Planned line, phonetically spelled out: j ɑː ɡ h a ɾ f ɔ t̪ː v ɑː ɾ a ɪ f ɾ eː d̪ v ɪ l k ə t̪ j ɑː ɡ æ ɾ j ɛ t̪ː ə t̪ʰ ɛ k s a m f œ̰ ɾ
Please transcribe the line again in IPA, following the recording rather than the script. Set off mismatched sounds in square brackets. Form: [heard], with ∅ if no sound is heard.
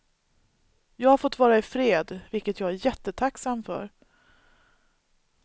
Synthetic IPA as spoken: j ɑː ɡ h a ɾ f ɔ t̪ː v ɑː ɾ a ɪ f ɾ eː d̪ v ɪ l k ə t̪ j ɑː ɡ æ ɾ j ɛ t̪ː ə t̪ʰ [a] k s a m f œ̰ ɾ